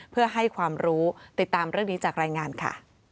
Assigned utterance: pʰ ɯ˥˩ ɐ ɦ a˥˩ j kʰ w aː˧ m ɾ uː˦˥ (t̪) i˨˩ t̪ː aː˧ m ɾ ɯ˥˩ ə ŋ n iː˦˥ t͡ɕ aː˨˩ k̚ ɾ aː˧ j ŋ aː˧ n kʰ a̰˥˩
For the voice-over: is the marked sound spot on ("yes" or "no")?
yes